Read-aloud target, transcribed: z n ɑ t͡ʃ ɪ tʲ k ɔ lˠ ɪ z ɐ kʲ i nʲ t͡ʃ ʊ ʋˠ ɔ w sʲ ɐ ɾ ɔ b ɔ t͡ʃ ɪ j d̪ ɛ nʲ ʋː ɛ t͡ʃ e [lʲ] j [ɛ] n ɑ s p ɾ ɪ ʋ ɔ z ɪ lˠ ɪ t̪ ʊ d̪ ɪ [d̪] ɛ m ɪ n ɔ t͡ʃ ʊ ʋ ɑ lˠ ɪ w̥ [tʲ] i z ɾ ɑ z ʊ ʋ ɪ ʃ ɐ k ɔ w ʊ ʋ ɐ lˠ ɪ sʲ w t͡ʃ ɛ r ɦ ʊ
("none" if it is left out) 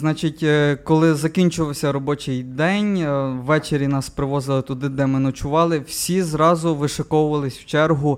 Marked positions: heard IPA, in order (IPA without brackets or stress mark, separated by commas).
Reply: ɾʲ, i, d̪, sʲ